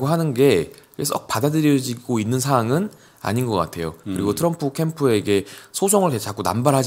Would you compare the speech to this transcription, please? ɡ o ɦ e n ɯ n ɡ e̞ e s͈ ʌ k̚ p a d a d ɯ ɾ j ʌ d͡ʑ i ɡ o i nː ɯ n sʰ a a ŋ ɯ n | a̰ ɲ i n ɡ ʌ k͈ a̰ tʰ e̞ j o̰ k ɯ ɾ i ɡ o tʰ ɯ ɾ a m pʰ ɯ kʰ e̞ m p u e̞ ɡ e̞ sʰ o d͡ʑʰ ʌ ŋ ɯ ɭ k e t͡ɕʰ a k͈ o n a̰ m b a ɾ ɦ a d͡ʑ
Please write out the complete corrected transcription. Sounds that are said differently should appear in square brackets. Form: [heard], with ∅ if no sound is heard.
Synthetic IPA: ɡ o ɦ [a] n ɯ n ɡ e̞ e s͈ ʌ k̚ p a d a d ɯ ɾ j ʌ d͡ʑ i ɡ o i nː ɯ n sʰ a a ŋ ɯ n | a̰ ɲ i n ɡ ʌ k͈ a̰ tʰ e̞ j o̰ k ɯ ɾ i ɡ o tʰ ɯ ɾ [ʌ] m pʰ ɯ kʰ e̞ m [pʰ] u e̞ ɡ e̞ sʰ o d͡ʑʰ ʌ ŋ ɯ ɭ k e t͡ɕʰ a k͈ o n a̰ m b a ɾ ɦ a d͡ʑ